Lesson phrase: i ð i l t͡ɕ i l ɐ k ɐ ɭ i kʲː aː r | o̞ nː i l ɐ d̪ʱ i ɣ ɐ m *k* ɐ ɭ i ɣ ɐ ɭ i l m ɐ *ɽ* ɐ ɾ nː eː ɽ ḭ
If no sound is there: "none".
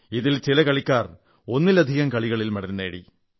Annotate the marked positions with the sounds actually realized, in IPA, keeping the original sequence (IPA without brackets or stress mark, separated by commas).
k, ɽ